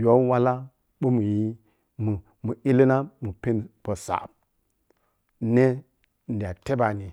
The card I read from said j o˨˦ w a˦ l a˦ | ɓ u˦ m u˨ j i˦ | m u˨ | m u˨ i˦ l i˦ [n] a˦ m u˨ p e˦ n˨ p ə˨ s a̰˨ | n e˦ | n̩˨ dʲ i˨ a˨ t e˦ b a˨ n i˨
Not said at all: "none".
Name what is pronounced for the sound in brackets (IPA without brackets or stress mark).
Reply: n